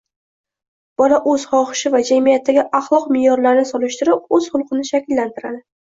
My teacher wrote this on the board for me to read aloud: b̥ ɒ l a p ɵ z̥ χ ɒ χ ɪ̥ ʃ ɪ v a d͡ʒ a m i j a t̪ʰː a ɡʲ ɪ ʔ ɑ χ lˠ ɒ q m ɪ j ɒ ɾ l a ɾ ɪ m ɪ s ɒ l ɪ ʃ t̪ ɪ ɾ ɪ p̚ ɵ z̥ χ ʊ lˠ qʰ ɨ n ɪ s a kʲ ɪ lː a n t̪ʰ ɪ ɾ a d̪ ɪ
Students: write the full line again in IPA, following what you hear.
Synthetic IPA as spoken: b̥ ɒ l a ʔ ɵ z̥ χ ɒ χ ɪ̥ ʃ ɪ v a d͡ʒ a m i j a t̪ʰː a ɡʲ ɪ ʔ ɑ χ lˠ ɒ q m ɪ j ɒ ɾ l a ɾ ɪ n ɪ s ɒ l ɪ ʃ t̪ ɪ ɾ ɪ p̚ ɵ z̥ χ ʊ lˠ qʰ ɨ n ɪ ʃ a kʲ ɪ lː a n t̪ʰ ɪ ɾ a d̪ ɪ